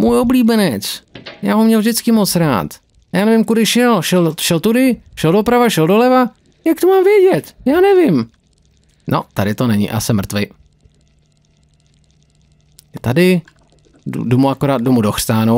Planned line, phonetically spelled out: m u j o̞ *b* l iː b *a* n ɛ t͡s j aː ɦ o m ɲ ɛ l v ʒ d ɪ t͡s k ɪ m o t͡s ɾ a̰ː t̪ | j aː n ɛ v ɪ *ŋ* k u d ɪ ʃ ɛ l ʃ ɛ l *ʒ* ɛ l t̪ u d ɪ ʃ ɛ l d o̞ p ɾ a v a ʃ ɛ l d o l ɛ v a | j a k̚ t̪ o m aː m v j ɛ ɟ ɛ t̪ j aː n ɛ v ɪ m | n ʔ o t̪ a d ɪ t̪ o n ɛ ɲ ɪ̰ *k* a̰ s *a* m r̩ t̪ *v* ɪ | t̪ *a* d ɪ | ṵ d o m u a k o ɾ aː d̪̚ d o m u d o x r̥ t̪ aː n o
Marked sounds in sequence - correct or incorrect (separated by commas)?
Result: correct, incorrect, incorrect, incorrect, incorrect, incorrect, correct, correct